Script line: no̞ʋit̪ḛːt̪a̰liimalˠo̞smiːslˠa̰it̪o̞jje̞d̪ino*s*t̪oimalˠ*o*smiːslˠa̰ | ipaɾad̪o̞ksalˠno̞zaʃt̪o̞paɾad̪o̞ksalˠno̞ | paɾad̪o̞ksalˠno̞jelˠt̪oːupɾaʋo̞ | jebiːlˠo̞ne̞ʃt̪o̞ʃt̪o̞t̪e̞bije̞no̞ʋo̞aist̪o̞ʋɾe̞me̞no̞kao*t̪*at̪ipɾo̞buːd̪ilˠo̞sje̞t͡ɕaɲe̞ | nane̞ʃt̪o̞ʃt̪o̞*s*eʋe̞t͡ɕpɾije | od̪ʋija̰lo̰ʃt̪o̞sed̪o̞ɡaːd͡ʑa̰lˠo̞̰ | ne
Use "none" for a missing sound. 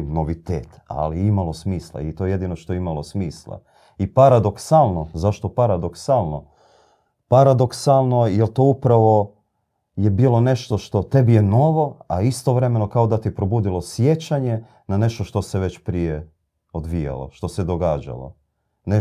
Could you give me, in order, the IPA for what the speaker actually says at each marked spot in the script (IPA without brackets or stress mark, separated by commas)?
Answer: ʃ, o, d̪, s